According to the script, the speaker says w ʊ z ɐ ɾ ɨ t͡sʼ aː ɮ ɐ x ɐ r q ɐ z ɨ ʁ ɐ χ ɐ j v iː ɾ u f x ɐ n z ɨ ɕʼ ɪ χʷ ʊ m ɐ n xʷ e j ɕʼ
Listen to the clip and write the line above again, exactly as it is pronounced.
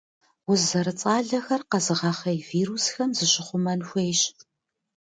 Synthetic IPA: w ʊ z ɐ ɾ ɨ t͡sʼ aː ɮ ɐ x ɐ r q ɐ z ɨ ʁ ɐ χ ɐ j v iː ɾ u s x ɐ m z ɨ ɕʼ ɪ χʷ ʊ m ɐ n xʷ e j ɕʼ

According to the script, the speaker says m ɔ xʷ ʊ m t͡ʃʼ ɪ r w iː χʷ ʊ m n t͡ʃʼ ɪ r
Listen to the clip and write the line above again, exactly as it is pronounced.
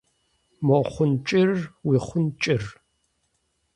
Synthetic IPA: m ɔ χʷ ʊ n t͡ʃʼ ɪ r w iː χʷ ʊ n t͡ʃʼ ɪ r

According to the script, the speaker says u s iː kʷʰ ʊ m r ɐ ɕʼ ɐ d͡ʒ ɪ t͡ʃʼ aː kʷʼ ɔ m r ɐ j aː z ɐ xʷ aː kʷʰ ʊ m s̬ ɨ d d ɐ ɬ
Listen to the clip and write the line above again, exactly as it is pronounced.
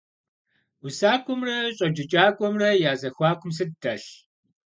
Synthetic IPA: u s aː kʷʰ ʊ m r ɐ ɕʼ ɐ d͡ʒ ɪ t͡ʃʼ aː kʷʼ ɔ m r ɐ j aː z ɐ xʷ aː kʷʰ ʊ m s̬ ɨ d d ɐ ɬ

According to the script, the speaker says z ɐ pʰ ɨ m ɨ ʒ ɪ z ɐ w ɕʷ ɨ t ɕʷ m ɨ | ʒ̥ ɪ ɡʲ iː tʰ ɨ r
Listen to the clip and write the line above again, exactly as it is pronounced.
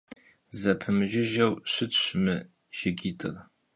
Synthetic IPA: z ɐ pʰ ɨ m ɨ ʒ ɪ ʒ ɐ w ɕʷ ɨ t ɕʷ m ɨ | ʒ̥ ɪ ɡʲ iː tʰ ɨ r

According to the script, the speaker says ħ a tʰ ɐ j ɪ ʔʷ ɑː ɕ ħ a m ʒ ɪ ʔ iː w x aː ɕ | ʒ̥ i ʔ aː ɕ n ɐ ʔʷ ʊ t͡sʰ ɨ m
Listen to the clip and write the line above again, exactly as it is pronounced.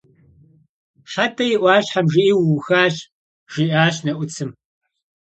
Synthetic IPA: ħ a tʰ ɐ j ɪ ʔʷ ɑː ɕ ħ a m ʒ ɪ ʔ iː w x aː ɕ | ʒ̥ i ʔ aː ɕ n ɐ ʔʷ ʊ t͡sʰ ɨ m

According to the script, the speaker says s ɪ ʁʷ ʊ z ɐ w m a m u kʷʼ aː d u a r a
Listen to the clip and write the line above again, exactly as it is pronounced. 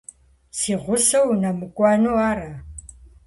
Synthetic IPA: s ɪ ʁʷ ʊ s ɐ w n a m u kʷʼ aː n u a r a

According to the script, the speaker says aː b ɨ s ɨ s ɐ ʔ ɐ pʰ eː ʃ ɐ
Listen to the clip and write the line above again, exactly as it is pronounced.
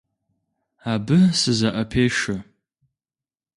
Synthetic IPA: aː b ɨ s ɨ z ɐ ʔ ɐ pʰ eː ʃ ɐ

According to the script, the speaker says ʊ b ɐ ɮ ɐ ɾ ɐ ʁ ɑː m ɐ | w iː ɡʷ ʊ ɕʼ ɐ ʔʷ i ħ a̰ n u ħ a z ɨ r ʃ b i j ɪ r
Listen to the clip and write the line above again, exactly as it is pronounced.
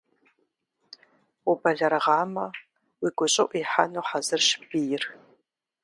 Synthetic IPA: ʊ b ɐ ɮ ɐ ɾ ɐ ʁ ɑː m ɐ | w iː ɡʷ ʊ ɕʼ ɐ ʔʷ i ħ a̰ n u ħ a z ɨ r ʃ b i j ɪ r

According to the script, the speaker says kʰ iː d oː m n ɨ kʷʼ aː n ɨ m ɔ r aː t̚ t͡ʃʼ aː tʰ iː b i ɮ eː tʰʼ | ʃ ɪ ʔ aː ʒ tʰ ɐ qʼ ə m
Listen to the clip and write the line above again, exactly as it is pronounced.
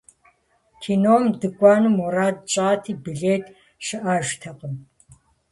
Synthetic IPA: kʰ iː n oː m d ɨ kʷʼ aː n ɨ m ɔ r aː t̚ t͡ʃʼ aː tʰ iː b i ɮ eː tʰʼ | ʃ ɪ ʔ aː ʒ tʰ ɐ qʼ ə m

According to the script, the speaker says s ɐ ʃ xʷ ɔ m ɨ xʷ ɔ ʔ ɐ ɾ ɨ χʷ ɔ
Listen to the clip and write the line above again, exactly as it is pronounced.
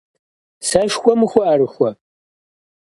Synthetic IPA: s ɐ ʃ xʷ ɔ m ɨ xʷ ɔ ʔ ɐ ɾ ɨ xʷ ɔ

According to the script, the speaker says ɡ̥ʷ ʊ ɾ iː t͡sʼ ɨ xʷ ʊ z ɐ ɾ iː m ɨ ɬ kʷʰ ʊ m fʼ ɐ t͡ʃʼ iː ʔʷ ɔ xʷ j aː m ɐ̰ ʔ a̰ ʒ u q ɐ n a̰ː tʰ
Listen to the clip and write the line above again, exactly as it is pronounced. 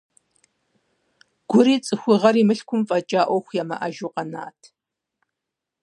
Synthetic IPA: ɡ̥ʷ ʊ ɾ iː t͡sʼ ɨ xʷ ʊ ʁ ɐ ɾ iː m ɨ ɬ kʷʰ ʊ m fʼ ɐ t͡ʃʼ aː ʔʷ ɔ xʷ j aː m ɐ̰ ʔ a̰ ʒ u q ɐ n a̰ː tʰ

